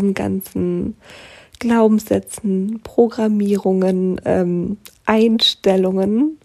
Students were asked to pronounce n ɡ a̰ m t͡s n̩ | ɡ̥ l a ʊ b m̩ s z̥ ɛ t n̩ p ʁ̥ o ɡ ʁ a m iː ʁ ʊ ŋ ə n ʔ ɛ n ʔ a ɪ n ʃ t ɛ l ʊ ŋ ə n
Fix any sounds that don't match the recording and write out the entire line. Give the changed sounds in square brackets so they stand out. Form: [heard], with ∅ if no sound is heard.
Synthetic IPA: n ɡ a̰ [n] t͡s n̩ | ɡ̥ l a ʊ b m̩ s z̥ ɛ [t͡s] n̩ p ʁ̥ o ɡ ʁ a m iː ʁ ʊ ŋ ə n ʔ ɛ [m] ʔ a ɪ n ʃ t ɛ l ʊ ŋ ə n